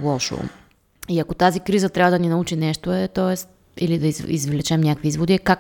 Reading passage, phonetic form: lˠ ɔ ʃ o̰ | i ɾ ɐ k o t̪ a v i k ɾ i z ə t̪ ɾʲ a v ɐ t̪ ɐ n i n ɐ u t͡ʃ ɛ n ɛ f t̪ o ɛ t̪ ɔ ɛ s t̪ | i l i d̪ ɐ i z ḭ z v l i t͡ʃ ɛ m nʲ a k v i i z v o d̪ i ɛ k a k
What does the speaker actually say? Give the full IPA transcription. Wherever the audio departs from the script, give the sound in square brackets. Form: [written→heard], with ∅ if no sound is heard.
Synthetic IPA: lˠ ɔ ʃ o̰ | i [ɾ→∅] ɐ k o t̪ a [v→z] i k ɾ i z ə t̪ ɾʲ a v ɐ [t̪→d̪] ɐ n i n ɐ u t͡ʃ [ɛ→i] n ɛ [f→ʃ] t̪ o ɛ t̪ ɔ ɛ s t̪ | i l i d̪ ɐ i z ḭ z v l [i→ɛ] t͡ʃ ɛ m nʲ a k v i i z v o d̪ i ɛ k a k